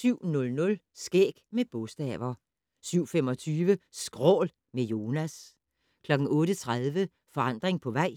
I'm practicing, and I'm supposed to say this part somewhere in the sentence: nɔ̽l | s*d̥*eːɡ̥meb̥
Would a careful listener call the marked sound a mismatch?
yes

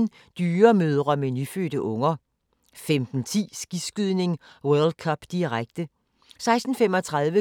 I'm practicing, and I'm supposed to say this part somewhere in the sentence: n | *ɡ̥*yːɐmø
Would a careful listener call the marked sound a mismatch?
yes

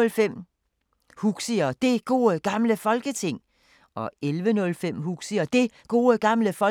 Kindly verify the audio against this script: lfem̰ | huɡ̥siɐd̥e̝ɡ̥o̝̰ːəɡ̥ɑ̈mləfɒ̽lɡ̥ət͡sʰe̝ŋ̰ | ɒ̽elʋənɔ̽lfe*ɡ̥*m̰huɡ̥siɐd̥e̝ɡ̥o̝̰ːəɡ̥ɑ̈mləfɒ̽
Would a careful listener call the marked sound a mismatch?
yes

